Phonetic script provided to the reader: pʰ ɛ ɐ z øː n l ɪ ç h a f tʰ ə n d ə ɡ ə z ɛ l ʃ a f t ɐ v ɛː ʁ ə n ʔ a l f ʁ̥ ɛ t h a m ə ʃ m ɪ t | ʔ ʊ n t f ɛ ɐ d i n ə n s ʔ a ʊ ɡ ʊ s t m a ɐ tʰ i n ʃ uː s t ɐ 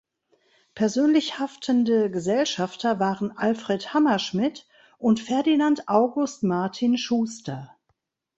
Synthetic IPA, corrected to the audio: pʰ ɛ ɐ z øː n l ɪ ç h a f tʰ ə n d ə ɡ ə z ɛ l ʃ a f t ɐ v aː ʁ ə n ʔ a l f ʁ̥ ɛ t h a m ɐ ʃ m ɪ t | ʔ ʊ n t f ɛ ɐ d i n a n t ʔ a ʊ ɡ ʊ s t m a ɐ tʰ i n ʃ uː s t ɐ